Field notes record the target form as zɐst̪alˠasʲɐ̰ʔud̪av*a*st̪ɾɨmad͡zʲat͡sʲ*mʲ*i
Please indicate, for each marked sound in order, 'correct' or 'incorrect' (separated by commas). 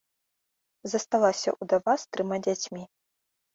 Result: correct, correct